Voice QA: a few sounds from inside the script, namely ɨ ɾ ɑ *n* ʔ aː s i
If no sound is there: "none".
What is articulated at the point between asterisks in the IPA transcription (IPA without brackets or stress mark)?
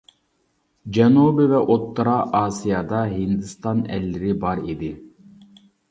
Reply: none